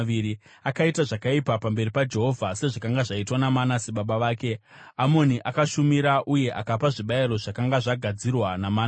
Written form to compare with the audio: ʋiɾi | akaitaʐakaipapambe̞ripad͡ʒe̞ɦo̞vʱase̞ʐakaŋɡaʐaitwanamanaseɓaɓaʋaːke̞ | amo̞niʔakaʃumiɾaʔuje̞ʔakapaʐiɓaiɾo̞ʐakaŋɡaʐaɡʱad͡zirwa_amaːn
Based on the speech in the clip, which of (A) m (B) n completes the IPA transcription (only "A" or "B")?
B